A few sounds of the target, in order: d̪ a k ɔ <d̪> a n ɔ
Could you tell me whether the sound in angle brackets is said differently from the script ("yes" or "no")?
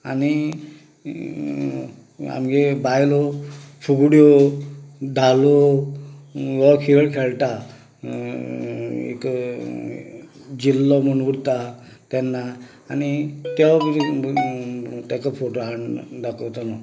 yes